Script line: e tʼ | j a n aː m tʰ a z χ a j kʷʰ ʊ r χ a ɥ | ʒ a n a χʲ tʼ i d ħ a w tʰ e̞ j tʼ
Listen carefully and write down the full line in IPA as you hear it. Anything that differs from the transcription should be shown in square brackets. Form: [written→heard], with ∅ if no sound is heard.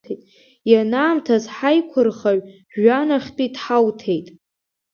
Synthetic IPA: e tʼ | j a n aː m tʰ a z [χ→ħ] a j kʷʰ ʊ r χ a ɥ | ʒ a n a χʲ tʼ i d ħ a w tʰ e̞ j tʼ